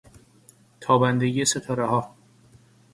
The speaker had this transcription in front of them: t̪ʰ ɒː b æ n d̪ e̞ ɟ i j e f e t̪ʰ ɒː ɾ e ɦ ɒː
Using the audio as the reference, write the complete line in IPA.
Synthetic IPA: t̪ʰ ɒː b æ n d̪ e̞ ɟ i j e s e t̪ʰ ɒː ɾ e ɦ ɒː